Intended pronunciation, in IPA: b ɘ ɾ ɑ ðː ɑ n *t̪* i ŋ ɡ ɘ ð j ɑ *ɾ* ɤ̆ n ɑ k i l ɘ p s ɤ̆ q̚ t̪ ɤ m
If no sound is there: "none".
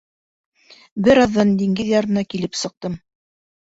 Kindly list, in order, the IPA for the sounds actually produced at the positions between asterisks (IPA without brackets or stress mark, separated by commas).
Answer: d̪, ɾ